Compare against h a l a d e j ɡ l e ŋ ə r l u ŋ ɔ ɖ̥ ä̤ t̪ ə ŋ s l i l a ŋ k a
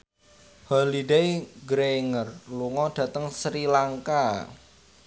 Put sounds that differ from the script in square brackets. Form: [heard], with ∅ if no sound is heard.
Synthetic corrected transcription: h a l [i] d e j ɡ [ɾ] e ŋ ə r l u ŋ ɔ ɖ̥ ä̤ t̪ ə ŋ s [ɾ] i l a ŋ k a